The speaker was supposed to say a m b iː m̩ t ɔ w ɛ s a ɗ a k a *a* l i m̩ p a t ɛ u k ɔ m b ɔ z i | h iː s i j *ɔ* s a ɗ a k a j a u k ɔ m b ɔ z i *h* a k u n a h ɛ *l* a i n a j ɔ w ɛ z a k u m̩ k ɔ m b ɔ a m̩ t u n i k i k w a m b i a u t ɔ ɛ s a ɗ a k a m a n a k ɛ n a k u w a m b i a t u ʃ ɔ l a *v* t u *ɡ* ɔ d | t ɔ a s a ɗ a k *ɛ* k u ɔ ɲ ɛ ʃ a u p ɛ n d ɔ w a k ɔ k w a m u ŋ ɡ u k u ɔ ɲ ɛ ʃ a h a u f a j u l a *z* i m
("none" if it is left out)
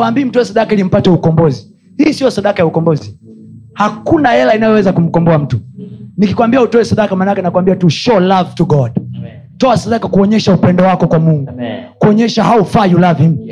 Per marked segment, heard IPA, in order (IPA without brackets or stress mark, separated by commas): i, ɔ, h, l, v, ɡ, a, v